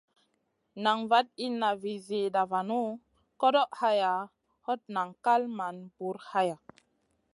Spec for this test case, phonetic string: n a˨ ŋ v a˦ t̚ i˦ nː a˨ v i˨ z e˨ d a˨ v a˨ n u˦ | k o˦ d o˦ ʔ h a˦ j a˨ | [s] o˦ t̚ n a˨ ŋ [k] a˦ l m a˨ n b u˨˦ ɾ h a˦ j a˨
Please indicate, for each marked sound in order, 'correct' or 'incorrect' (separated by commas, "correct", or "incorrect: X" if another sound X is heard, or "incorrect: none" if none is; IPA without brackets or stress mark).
incorrect: h, correct